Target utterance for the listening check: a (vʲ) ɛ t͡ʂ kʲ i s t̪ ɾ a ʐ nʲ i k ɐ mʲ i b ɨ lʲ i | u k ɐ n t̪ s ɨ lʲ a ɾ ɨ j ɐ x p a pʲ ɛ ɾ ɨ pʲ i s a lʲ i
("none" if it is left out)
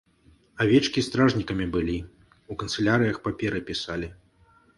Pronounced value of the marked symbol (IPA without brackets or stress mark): vʲ